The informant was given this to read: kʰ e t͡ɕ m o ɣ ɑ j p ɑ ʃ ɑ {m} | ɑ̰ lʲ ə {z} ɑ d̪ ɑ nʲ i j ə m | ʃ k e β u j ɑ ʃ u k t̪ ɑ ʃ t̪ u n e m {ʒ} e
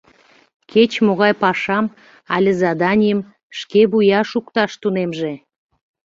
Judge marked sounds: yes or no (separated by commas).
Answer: yes, yes, yes